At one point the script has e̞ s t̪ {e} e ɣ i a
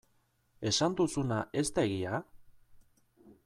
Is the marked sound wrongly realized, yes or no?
yes